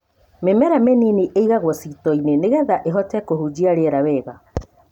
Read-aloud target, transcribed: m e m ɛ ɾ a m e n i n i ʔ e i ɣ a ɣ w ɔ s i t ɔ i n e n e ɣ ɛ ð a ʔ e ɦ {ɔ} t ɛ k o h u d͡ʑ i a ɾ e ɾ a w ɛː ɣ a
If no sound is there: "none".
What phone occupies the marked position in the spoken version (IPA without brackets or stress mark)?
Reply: ɔ